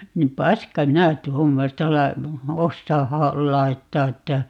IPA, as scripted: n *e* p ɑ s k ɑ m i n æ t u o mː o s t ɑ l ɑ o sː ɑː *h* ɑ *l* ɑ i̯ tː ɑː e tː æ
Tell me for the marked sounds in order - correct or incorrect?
incorrect, correct, correct

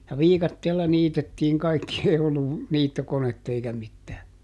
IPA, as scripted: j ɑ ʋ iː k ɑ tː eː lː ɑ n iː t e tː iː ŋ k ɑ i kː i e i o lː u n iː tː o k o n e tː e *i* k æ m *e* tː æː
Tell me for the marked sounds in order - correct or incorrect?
correct, incorrect

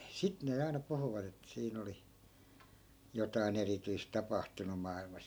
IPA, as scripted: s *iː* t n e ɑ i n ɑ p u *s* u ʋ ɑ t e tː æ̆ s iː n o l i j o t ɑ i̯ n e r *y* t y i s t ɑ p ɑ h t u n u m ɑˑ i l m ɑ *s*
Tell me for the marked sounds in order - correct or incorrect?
incorrect, incorrect, incorrect, correct

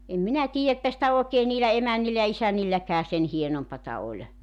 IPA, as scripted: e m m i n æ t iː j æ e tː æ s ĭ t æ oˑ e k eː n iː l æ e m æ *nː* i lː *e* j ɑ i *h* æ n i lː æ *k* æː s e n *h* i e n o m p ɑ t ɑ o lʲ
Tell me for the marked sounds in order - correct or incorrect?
correct, incorrect, incorrect, correct, correct

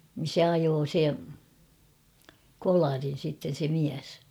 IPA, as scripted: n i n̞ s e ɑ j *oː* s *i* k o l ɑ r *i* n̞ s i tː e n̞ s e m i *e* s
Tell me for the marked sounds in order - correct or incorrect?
correct, incorrect, correct, incorrect

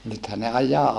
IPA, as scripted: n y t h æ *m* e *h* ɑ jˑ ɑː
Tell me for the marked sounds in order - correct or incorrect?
incorrect, incorrect

